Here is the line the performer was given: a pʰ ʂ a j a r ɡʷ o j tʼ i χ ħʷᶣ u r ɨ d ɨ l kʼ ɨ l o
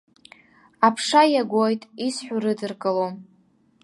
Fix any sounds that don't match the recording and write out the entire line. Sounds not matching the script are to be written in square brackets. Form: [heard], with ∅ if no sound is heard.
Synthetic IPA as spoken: a pʰ ʂ a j a [∅] ɡʷ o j tʼ i [s] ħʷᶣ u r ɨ d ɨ [r] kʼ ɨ l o